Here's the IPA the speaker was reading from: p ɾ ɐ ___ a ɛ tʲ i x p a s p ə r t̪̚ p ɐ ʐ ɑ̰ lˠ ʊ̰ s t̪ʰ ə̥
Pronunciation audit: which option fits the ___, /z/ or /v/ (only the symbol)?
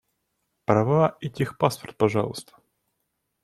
v